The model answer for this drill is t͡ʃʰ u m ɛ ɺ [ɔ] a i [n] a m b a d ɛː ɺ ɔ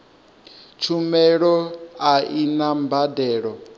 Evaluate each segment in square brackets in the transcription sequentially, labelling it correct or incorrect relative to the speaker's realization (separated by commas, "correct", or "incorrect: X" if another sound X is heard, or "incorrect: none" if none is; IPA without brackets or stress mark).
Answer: correct, correct